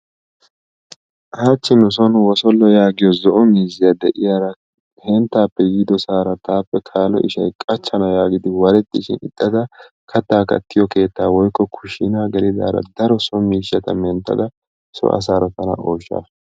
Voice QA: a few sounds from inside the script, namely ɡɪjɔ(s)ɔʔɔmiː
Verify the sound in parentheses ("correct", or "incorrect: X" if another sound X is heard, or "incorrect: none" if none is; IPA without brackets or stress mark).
incorrect: z